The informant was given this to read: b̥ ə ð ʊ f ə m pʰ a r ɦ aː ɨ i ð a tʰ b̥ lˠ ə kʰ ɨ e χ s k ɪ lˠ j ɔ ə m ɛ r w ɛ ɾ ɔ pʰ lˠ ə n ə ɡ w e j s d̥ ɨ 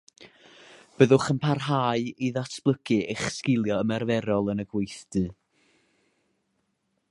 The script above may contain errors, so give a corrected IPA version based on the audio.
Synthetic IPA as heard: b̥ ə ð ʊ χ ə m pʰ a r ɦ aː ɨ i ð a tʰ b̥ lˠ ə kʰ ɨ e χ s k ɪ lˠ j ɔ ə m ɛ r v ɛ ɾ ɔ lˠ ə n ə ɡ w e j θ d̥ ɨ